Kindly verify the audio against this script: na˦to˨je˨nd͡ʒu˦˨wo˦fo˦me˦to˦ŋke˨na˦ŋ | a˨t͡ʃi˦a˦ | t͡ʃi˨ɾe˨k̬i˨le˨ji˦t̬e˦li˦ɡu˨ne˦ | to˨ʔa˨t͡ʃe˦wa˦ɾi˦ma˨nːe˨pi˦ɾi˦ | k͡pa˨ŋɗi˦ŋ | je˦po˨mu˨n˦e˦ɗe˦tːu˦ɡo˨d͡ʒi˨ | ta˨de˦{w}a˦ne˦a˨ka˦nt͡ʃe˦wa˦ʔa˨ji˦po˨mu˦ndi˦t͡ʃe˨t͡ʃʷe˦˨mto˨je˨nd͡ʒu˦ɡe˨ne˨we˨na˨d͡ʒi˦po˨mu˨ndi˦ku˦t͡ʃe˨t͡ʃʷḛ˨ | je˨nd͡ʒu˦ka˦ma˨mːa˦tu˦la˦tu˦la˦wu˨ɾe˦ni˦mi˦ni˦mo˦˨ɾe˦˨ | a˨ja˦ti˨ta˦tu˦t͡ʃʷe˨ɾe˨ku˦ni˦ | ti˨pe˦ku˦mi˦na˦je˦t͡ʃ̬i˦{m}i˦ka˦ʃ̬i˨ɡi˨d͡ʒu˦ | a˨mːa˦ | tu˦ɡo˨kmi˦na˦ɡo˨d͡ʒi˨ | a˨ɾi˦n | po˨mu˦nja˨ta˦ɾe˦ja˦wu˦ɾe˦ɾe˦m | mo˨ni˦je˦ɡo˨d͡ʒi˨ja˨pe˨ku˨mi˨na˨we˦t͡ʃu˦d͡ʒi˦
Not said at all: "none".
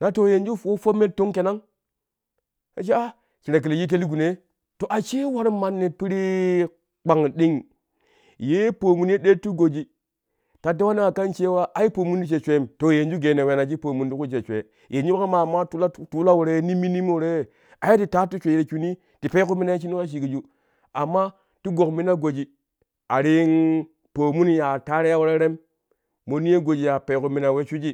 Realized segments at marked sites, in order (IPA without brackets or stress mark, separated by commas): w, n